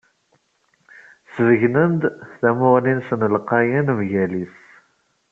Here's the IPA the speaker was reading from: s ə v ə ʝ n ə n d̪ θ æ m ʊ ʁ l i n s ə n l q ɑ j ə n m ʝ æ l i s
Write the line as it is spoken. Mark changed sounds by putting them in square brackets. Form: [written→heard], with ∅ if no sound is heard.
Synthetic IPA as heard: s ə v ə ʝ n ə n d̪ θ æ m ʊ ʁ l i n s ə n l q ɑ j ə n m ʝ æ l i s